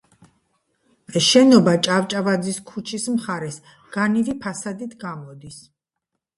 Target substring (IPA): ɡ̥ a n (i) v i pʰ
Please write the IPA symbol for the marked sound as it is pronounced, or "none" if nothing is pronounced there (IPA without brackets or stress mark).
i